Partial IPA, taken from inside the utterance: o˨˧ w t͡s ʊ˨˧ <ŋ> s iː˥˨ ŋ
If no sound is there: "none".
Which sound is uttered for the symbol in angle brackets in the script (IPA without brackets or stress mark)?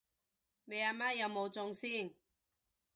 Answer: ŋ